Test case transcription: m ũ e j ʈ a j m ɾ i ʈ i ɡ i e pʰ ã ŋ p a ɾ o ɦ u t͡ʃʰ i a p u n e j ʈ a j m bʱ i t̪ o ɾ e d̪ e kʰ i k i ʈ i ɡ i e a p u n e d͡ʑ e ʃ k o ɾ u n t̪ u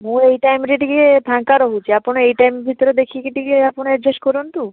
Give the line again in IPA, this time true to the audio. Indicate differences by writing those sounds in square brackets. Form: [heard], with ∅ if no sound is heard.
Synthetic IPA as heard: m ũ e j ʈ a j m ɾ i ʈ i ɡ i e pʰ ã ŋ [k] a ɾ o ɦ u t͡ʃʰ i a p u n e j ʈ a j m bʱ i t̪ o ɾ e d̪ e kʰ i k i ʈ i ɡ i e a p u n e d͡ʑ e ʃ k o ɾ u n t̪ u